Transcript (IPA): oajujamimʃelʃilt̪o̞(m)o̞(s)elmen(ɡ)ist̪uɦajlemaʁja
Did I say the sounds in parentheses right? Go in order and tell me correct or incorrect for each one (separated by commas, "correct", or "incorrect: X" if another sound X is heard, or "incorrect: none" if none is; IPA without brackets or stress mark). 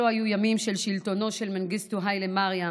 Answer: incorrect: n, incorrect: ʃ, correct